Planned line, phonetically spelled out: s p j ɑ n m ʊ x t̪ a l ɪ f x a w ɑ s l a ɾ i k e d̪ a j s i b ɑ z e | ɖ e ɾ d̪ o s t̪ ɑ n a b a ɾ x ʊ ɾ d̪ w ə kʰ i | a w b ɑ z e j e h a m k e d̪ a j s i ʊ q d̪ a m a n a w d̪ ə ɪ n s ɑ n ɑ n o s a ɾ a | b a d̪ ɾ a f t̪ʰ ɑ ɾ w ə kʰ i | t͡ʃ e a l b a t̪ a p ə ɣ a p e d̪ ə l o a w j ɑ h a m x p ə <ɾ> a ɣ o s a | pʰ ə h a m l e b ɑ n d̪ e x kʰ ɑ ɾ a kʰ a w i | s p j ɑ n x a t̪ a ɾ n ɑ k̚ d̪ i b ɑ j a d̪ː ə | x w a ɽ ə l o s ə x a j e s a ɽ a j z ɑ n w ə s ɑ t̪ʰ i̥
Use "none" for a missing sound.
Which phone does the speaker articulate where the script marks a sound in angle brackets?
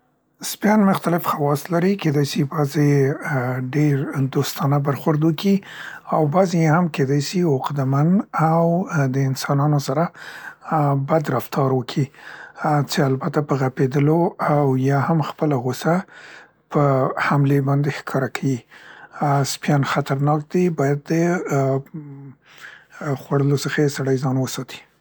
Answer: l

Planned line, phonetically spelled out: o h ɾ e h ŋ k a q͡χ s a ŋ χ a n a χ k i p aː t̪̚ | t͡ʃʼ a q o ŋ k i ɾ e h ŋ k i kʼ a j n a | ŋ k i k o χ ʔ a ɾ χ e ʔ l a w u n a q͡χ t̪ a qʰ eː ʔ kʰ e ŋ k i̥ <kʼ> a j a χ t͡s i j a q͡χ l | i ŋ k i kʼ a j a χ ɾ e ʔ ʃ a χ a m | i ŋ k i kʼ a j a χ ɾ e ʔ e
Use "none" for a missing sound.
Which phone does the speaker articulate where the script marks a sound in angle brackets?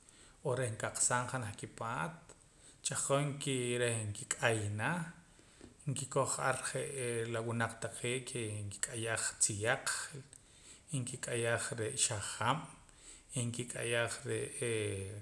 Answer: kʼ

